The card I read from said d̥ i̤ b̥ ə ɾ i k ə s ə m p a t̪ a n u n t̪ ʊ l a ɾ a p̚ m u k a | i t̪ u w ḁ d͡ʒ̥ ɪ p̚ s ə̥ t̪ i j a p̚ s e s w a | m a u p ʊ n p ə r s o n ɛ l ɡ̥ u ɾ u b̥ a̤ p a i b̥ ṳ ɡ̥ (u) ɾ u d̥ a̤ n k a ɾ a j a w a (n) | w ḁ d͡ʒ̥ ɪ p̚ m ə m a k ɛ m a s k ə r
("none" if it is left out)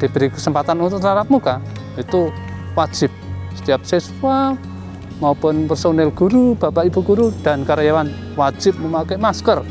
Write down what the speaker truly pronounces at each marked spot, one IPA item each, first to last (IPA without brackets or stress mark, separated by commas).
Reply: u, n